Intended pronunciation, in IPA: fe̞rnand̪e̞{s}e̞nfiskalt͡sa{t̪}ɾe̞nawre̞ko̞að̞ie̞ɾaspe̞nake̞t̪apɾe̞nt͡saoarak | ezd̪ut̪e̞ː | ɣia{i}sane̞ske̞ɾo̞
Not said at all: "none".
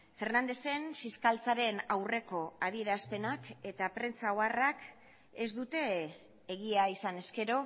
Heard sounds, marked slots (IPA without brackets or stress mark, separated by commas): s, none, i